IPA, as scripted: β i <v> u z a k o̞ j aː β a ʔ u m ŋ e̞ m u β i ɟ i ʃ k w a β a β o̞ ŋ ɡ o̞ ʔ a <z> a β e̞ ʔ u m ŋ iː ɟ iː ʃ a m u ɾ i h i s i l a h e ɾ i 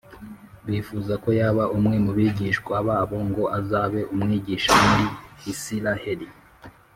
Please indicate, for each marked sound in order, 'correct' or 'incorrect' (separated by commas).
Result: incorrect, correct